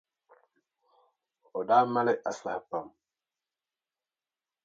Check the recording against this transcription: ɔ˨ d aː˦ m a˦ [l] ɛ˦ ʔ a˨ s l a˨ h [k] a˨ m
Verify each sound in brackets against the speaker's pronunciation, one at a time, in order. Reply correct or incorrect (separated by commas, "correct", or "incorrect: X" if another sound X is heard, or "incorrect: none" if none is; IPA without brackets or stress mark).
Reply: correct, incorrect: p